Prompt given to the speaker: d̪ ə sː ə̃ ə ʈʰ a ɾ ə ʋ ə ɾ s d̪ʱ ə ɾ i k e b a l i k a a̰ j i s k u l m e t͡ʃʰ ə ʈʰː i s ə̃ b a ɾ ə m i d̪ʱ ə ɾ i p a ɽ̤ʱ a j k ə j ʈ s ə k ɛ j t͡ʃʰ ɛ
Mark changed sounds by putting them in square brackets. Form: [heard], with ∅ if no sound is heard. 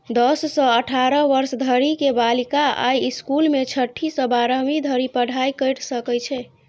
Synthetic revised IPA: d̪ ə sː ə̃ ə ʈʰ a ɾ ə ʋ ə ɾ s d̪ʱ ə ɾ i k e b a l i k a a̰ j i s k u l m e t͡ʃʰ ə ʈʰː i s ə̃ b a ɾ ə m i d̪ʱ ə ɾ i p [ə] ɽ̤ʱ a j k ə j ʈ s ə k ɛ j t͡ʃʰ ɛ